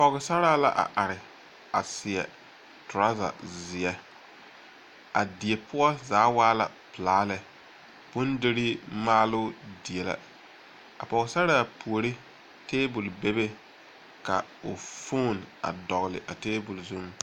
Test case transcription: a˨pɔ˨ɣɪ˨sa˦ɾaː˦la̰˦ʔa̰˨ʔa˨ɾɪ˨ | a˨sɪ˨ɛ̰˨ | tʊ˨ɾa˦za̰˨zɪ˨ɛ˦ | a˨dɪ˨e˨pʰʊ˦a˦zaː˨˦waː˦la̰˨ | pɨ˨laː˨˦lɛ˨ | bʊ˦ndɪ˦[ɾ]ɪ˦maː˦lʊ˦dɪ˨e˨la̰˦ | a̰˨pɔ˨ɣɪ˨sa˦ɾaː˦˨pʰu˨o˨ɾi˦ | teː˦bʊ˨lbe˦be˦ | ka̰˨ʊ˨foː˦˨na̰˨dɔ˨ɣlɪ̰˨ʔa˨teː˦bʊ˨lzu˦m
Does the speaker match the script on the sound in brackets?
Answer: yes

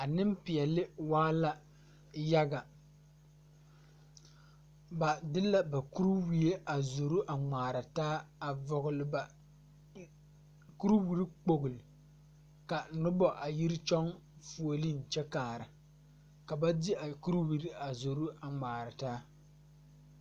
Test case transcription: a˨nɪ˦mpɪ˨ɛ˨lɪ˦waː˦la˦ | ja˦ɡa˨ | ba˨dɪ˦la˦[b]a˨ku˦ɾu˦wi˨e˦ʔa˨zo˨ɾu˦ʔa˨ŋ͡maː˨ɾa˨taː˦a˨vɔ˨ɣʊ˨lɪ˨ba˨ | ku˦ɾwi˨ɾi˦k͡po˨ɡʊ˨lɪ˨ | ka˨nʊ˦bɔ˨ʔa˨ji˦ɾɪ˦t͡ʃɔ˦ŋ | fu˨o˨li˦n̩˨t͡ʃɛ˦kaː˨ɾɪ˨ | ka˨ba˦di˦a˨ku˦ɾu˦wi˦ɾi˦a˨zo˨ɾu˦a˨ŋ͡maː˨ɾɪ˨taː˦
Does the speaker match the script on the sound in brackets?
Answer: yes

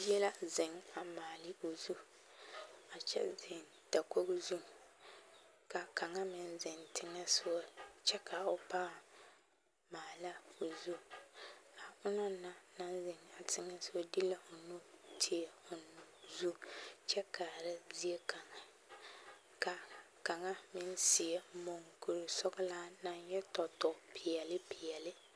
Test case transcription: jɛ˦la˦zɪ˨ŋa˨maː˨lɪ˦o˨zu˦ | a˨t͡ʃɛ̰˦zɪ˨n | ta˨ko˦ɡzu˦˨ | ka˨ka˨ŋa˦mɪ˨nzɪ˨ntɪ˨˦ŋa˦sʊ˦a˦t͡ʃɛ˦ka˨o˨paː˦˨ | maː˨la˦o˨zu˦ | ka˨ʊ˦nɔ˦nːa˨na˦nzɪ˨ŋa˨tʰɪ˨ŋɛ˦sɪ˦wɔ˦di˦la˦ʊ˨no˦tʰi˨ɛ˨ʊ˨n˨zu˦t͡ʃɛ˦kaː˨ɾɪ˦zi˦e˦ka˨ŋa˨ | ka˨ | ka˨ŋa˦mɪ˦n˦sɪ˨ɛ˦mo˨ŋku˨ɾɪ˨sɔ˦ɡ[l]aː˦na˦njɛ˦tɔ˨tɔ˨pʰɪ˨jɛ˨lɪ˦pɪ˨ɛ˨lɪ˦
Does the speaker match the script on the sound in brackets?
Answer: yes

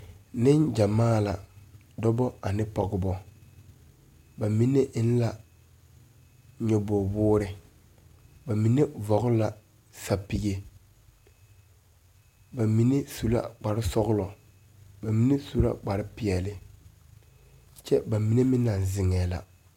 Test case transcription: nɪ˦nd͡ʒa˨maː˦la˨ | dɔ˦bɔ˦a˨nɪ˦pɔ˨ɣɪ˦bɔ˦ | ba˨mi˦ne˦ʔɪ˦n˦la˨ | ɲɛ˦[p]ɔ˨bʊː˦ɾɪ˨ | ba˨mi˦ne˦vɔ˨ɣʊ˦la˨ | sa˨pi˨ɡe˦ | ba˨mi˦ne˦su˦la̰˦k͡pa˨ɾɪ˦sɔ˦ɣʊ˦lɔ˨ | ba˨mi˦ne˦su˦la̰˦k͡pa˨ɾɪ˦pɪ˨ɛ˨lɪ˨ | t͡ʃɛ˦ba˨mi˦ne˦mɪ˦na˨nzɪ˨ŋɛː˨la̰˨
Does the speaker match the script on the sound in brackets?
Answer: no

